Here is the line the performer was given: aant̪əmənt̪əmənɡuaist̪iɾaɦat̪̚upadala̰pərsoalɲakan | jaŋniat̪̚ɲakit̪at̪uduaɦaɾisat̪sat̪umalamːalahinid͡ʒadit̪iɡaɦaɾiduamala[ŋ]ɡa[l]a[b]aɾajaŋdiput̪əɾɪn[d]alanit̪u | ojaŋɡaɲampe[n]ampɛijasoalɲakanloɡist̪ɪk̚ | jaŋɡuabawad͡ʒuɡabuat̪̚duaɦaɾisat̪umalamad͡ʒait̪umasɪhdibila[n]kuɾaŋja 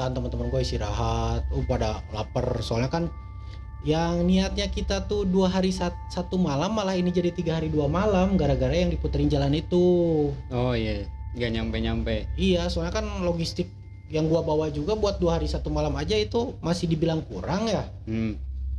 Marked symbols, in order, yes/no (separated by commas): no, no, no, no, no, no